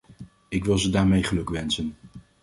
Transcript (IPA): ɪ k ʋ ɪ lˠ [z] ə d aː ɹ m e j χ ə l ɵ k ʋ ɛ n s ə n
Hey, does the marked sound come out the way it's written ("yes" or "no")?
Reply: yes